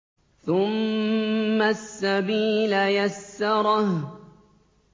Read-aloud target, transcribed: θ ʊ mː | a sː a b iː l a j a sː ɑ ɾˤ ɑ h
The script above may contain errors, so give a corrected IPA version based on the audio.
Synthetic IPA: θ ʊ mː | a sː a b iː l a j a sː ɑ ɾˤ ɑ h